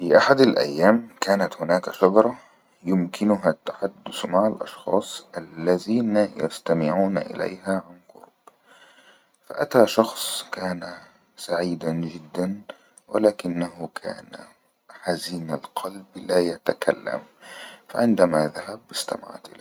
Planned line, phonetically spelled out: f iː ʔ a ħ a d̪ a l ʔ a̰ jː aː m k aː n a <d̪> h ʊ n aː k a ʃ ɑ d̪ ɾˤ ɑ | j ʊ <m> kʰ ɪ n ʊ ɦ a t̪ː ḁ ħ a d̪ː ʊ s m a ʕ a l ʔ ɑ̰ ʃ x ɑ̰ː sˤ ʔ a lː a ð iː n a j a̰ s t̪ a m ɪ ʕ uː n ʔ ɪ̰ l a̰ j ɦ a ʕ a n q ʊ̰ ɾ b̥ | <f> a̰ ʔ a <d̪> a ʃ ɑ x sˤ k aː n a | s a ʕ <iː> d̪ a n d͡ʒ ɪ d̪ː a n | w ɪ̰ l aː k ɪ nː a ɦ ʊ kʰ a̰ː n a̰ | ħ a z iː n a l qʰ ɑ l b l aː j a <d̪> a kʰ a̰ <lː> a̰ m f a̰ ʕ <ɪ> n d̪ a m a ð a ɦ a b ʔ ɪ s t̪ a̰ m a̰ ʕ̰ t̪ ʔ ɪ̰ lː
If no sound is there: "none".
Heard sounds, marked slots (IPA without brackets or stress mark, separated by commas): t̪, m, f, t̪, iː, t̪, lː, ɪ